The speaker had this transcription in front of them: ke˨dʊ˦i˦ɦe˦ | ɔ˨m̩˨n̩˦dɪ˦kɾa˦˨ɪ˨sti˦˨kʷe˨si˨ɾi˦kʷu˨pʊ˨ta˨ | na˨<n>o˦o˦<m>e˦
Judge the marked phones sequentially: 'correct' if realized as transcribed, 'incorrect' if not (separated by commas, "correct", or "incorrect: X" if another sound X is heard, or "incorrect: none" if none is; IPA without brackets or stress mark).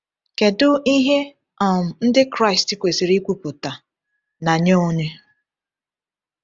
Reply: incorrect: ɲ, incorrect: ɲ